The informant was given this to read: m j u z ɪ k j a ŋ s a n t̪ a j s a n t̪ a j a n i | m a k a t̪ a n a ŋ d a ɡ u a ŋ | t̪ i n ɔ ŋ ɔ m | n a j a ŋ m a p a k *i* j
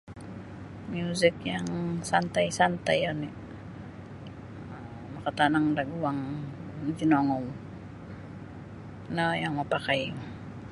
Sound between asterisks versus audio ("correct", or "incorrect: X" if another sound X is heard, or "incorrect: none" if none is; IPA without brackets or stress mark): incorrect: a